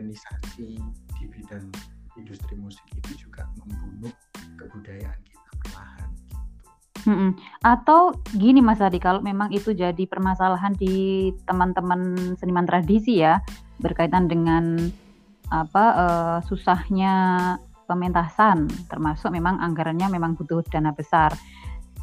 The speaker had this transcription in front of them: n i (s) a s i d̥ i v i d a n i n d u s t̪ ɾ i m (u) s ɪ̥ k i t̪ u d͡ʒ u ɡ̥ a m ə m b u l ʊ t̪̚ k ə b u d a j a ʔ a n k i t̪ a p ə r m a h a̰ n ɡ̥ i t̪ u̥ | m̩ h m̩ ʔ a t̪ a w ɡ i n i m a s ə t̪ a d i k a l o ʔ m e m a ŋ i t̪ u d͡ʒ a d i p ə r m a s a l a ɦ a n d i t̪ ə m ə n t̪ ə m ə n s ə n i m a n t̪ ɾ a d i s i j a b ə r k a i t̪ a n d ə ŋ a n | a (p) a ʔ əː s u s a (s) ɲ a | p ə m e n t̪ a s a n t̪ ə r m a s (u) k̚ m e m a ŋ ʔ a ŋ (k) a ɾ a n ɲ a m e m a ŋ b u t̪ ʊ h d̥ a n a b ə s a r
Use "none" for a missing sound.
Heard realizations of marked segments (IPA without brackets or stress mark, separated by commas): s, u, p, h, ʊ, ɡ